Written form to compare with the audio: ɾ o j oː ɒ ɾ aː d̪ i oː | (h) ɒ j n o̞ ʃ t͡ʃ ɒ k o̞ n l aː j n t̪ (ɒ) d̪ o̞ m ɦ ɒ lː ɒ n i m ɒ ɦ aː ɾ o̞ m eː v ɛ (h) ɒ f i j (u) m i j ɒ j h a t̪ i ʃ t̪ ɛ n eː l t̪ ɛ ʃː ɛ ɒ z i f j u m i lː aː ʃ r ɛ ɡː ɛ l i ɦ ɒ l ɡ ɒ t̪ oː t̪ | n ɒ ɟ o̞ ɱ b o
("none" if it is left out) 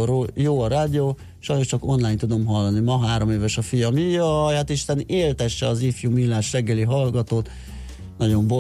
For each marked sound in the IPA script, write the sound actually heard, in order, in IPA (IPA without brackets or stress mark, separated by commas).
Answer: ʃ, u, ʃ, ɒ